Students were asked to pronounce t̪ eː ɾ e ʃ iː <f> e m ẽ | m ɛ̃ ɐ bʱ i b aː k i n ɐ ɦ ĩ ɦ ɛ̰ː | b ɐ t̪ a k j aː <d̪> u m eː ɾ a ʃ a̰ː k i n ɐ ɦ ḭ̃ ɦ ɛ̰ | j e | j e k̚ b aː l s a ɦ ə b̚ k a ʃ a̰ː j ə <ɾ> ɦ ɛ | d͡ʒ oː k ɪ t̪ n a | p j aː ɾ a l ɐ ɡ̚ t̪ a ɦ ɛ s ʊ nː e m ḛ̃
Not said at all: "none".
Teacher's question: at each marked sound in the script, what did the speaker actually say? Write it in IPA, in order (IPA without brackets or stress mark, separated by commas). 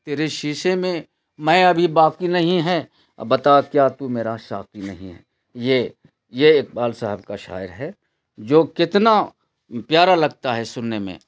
ʃ, t̪, ɾ